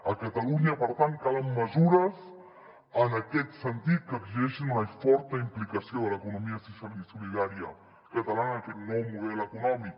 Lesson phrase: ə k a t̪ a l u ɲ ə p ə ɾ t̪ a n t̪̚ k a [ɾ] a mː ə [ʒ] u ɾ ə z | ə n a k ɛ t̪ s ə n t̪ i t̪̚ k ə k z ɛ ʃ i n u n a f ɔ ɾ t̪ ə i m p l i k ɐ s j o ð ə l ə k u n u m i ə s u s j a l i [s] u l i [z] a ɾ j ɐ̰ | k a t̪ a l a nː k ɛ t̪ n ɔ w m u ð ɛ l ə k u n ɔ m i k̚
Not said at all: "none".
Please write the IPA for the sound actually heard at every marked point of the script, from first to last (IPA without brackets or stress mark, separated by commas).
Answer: l, z, s, ð